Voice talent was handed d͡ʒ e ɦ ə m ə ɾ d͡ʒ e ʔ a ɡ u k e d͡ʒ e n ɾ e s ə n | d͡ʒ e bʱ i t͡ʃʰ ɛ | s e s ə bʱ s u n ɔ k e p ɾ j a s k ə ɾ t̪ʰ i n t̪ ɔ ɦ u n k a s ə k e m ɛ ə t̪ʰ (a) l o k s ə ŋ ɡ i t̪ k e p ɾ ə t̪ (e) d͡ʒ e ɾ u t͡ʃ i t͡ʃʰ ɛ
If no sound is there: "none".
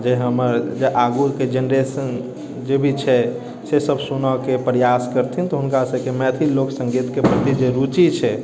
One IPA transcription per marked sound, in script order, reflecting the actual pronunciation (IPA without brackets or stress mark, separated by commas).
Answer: i, i